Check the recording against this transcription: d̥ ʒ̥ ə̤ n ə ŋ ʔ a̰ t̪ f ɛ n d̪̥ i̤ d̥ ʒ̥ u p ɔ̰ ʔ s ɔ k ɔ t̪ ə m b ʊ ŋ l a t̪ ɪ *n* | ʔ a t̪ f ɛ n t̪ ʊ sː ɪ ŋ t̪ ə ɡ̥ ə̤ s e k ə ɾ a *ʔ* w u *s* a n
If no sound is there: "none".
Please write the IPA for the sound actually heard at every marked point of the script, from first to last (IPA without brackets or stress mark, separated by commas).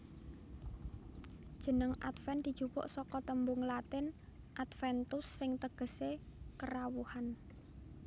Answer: n, none, h